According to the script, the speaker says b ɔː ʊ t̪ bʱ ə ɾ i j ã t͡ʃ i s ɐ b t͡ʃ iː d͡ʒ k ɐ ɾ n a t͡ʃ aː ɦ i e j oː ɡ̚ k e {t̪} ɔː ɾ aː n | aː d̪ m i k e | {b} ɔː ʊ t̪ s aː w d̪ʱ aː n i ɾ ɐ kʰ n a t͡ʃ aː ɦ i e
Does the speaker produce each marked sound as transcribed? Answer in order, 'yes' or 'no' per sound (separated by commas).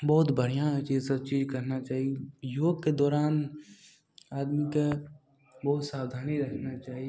no, yes